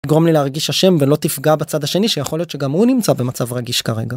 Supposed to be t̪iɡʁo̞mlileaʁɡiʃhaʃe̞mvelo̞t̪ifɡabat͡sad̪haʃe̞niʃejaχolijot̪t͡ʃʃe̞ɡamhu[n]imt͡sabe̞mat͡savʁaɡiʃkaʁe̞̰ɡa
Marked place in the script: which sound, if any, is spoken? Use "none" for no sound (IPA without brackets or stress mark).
n